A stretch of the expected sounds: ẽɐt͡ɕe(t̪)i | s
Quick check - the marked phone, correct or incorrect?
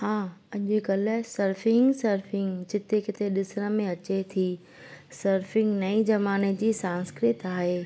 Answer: incorrect